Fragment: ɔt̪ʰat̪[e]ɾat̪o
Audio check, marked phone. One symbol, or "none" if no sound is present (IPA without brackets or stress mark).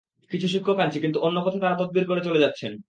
a